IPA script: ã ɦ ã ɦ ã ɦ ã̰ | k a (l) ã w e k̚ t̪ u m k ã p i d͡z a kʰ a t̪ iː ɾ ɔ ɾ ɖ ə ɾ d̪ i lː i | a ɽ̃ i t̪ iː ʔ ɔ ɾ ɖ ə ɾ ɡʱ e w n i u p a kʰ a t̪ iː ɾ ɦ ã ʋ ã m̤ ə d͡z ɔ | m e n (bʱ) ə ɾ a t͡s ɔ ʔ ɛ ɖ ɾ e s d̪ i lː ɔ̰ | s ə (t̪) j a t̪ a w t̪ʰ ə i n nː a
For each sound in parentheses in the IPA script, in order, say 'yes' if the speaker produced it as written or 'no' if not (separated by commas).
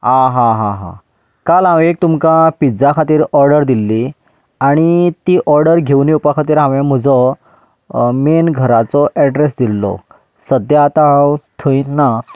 yes, no, no